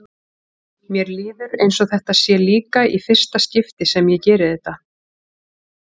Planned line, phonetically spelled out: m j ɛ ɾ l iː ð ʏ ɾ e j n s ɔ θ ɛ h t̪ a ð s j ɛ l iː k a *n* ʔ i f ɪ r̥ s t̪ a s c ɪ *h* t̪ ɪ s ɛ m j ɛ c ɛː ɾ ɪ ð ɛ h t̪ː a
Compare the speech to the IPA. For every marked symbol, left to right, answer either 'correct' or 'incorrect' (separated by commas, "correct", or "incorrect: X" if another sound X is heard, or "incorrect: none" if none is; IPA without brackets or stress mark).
incorrect: none, incorrect: f